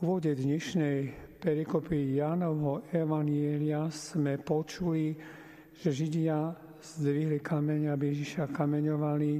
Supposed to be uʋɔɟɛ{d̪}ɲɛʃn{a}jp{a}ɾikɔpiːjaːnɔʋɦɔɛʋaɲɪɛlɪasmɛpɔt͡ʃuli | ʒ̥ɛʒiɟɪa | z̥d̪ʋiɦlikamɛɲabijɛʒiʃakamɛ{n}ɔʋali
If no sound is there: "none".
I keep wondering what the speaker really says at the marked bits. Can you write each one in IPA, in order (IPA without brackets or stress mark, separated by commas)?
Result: d̪, ɛ, ɛ, ɲ